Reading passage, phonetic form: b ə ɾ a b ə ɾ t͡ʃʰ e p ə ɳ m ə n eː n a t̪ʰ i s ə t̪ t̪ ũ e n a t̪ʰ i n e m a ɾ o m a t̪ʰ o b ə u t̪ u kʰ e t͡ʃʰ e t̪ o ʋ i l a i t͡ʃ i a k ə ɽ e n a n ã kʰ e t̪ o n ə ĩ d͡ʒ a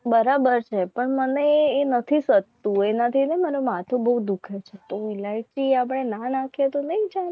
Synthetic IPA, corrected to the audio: b ə ɾ a b ə ɾ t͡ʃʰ e p ə ɳ m ə n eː n ə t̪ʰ i s ə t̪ t̪ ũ e n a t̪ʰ i n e m a ɾ o m a t̪ʰ o b ə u d̪ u kʰ e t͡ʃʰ e t̪ o ʋ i l a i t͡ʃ i a p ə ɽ e n a n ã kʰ e t̪ o n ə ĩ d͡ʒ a